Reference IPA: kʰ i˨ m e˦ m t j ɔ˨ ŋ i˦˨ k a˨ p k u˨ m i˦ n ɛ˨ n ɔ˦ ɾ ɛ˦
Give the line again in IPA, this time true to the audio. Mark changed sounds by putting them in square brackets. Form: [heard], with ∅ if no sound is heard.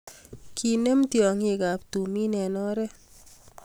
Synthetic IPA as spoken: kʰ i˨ [n] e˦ m t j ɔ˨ ŋ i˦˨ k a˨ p [t] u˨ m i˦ n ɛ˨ n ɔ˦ ɾ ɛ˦